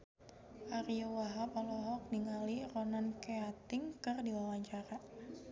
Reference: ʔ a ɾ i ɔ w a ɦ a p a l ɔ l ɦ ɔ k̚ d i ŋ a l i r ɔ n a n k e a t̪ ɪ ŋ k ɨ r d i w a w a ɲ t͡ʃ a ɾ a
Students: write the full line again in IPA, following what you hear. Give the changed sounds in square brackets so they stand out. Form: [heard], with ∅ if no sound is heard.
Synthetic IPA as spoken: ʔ a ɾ i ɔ w a ɦ a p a l ɔ [∅] ɦ ɔ k̚ d i ŋ a l i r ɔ n a n k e a t̪ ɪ ŋ k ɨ r d i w a w a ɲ t͡ʃ a ɾ a